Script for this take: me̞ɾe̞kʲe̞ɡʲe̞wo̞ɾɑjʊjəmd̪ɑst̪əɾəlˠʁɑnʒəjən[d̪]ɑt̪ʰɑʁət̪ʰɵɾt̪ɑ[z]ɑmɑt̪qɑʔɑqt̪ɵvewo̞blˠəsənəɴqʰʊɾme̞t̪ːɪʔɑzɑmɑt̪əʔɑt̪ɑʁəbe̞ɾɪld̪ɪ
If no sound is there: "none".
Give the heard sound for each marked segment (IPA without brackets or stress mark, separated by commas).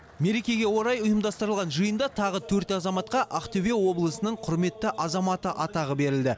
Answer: d̪, z